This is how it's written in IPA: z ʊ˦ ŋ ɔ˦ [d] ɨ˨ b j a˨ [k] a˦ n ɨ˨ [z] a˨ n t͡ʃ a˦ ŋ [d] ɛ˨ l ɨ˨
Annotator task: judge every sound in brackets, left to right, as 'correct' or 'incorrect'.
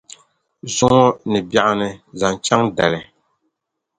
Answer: incorrect, incorrect, correct, correct

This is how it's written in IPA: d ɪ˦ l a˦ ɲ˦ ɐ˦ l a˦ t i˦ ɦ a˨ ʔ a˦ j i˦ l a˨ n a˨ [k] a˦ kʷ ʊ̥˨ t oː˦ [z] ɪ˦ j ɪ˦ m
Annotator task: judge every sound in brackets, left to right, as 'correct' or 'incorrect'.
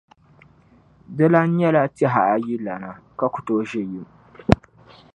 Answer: correct, incorrect

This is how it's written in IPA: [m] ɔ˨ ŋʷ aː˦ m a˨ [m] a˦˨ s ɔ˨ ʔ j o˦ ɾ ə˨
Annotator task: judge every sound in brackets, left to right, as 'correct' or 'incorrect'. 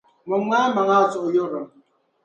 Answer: correct, incorrect

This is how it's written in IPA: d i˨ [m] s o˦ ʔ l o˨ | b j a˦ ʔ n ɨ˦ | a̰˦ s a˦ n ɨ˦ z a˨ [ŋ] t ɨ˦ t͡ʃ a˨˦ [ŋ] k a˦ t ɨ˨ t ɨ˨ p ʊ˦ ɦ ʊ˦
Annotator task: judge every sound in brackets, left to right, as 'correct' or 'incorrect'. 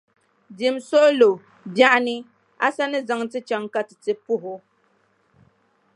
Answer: correct, correct, correct

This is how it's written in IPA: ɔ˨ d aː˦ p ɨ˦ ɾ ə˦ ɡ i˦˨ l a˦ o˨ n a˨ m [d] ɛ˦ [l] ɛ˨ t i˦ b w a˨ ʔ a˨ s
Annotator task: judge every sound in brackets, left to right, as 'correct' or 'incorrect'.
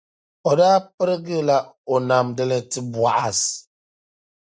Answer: correct, correct

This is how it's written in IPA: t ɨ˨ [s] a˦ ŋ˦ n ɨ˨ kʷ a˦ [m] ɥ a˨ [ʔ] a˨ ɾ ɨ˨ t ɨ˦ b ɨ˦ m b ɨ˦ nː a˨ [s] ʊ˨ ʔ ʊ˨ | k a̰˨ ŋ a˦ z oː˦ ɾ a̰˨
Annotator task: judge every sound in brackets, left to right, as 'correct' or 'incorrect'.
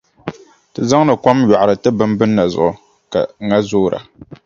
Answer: incorrect, correct, correct, incorrect

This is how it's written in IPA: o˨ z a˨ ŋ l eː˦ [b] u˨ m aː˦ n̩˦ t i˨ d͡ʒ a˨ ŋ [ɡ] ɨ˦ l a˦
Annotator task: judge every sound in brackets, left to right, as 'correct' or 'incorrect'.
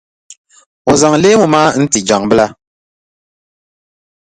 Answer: incorrect, incorrect

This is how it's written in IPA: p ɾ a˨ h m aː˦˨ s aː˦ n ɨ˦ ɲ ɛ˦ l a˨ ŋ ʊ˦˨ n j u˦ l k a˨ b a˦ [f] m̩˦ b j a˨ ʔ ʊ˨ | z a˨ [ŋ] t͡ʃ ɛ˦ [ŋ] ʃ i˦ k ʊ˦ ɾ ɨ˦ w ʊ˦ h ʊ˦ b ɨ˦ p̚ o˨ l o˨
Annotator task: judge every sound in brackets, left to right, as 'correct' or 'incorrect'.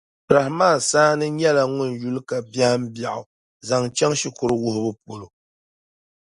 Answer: incorrect, correct, correct

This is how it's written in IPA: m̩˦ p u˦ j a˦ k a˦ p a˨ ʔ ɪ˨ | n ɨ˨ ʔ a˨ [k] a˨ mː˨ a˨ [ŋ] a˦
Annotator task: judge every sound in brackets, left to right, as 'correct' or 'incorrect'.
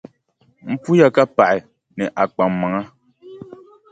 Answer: incorrect, correct

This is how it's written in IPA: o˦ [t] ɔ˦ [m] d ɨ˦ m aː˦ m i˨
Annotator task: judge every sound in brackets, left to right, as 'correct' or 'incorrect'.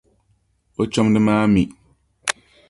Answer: incorrect, correct

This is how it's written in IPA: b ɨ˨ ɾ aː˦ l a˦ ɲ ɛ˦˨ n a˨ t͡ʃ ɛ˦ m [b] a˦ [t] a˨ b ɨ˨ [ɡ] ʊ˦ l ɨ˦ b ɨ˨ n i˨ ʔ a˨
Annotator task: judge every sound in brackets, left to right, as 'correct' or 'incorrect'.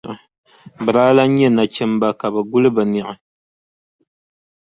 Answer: correct, incorrect, correct

